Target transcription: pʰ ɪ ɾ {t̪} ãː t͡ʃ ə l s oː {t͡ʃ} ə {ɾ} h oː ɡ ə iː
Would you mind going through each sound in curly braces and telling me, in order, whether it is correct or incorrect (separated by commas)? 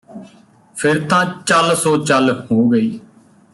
correct, correct, incorrect